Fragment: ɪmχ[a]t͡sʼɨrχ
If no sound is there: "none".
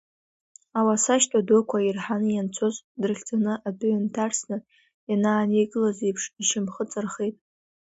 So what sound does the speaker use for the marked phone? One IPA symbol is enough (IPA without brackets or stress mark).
ə